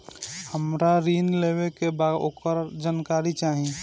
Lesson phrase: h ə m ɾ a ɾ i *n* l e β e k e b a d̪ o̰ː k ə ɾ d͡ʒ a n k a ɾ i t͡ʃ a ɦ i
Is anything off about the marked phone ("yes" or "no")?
no